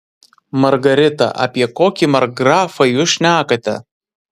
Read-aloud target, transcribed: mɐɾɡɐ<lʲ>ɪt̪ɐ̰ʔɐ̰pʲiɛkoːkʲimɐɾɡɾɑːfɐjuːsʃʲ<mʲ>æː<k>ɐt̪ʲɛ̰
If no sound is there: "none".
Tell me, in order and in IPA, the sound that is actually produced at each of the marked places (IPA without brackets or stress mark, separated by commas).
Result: ɾʲ, nʲ, k